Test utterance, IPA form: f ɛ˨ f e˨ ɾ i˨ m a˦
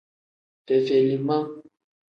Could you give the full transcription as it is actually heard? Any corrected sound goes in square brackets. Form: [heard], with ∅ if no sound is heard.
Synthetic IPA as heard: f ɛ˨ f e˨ [l] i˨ m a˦